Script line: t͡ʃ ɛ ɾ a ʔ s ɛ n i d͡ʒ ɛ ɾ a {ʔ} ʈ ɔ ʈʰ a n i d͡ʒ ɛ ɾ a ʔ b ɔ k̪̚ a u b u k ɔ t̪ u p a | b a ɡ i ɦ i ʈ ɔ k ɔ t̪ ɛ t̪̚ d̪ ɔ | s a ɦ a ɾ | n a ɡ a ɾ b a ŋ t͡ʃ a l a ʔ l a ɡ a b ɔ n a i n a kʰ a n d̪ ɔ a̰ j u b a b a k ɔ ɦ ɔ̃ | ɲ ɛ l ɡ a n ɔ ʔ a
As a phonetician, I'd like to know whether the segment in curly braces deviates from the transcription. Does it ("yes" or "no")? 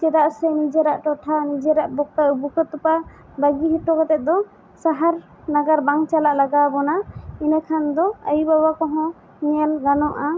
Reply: no